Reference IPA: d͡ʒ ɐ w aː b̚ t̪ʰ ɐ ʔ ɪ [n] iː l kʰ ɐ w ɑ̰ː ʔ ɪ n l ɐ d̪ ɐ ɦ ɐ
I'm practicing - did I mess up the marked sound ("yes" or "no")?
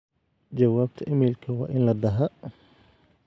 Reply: yes